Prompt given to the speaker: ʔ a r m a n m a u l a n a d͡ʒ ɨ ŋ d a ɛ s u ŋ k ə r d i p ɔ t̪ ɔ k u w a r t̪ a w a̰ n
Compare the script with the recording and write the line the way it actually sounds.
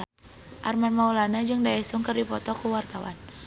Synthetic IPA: ʔ a r m a n m a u l a n a d͡ʒ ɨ ŋ d a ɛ s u ŋ k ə r d i p ɔ t̪ ɔ k u w a r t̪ a w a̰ n